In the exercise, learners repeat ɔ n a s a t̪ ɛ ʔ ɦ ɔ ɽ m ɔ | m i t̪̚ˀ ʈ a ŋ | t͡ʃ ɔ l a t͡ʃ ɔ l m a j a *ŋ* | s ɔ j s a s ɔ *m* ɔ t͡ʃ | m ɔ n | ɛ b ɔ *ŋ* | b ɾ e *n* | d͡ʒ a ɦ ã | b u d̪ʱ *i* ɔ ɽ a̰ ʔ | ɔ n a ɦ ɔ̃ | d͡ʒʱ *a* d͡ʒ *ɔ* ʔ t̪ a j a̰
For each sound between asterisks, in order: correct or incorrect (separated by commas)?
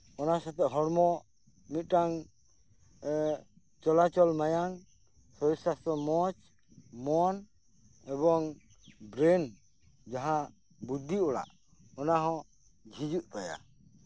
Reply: correct, correct, correct, correct, correct, incorrect, incorrect